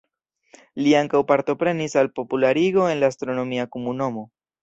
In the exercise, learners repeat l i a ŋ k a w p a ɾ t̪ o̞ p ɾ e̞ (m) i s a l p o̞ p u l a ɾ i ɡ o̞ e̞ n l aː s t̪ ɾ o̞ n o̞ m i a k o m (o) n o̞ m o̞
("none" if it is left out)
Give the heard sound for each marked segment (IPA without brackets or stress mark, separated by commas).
n, u